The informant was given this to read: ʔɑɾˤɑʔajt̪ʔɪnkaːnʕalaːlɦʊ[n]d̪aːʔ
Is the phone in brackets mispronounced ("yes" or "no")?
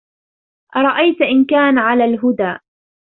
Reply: yes